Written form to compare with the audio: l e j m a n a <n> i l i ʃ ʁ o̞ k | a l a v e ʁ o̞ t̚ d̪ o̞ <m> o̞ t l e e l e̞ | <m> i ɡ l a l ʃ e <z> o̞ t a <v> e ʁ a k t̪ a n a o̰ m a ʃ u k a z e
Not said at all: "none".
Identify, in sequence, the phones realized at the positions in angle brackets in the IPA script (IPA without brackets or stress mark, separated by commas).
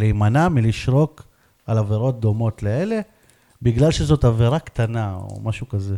m, m, b, z, v